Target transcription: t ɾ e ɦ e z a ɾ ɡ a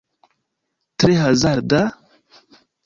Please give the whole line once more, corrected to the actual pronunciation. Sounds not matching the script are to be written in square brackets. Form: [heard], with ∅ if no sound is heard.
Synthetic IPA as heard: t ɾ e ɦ [a] z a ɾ [d] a